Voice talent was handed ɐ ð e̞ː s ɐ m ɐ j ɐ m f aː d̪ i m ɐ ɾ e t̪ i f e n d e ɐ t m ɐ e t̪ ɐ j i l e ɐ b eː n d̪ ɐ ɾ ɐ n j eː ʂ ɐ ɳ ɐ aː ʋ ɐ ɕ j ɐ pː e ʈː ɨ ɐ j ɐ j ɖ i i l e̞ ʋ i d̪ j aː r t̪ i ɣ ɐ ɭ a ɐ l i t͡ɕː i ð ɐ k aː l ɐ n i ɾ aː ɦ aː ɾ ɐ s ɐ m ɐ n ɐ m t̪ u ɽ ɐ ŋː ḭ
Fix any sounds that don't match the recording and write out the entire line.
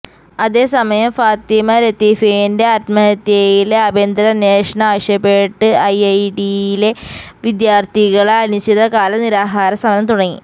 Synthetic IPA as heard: ɐ ð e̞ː s ɐ m ɐ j ɐ m f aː t̪ i m ɐ ɾ e t̪ i f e n d e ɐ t m ɐ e t̪ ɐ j i l e ɐ b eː n d̪ ɐ ɾ ɐ n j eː ʂ ɐ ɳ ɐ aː ʋ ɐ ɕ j ɐ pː e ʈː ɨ ɐ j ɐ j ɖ i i l e̞ ʋ i d̪ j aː r t̪ i ɣ ɐ ɭ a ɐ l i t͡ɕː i ð ɐ k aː l ɐ n i ɾ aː ɦ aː ɾ ɐ s ɐ m ɐ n ɐ m t̪ u ɽ ɐ ŋː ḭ